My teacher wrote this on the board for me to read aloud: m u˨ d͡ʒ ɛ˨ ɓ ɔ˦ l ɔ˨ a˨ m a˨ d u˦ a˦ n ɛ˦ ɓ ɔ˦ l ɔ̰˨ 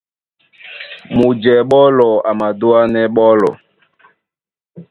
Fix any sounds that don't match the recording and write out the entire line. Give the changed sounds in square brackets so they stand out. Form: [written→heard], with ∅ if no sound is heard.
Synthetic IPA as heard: m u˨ d͡ʒ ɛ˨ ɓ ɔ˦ l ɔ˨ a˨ m a˨ d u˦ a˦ n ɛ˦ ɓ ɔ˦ l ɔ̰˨